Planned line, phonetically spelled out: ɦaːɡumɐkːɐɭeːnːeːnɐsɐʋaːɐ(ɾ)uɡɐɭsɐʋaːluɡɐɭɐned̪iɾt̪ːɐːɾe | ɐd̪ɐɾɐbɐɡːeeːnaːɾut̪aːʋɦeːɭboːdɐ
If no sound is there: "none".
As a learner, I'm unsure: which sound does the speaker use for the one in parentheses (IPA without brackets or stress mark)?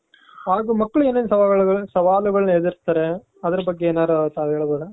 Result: ɭ